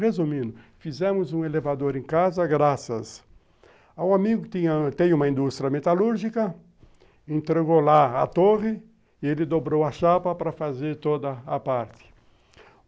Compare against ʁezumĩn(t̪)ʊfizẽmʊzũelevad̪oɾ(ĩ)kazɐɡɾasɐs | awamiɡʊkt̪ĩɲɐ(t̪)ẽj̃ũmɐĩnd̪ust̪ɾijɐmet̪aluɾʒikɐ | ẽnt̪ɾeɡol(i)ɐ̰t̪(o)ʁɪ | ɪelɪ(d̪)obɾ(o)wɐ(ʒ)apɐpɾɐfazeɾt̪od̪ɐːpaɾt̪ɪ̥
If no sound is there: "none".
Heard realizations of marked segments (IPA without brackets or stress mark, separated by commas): d̪, ẽ, t̪, a, o, d̪, o, ʃ